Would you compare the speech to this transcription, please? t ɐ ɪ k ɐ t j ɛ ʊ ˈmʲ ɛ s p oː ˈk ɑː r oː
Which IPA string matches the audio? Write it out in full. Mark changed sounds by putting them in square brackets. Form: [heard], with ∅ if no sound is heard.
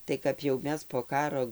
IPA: t ɐ ɪ k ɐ [p] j ɛ ʊ ˈmʲ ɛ s p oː ˈk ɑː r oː